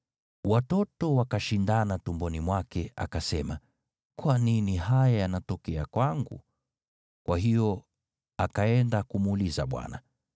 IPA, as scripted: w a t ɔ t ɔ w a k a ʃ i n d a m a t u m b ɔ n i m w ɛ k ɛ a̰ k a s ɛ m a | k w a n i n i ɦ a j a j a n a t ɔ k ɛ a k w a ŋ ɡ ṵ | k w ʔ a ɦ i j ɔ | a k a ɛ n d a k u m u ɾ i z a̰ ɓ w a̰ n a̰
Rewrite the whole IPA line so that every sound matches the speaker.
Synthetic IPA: w a t ɔ t ɔ w a k a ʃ i n d a n a t u m b ɔ n i m w a k ɛ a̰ k a s ɛ m a | k w a n i n i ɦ a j a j a n a t ɔ k ɛ a k w a ŋ ɡ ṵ | k w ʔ a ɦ i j ɔ | a k a ɛ n d a k u m u l i z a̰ ɓ w a̰ n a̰